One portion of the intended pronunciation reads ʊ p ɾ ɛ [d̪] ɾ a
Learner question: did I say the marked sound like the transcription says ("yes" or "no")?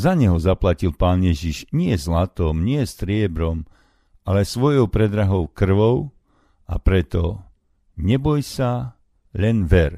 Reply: yes